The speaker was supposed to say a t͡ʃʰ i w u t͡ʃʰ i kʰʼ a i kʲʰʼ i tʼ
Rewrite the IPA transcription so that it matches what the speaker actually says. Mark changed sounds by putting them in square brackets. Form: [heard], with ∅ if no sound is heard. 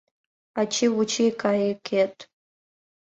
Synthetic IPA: a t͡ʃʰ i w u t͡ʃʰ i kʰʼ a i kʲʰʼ [e] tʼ